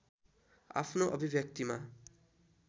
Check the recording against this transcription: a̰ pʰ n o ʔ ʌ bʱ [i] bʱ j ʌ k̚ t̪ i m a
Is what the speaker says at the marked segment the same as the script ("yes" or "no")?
yes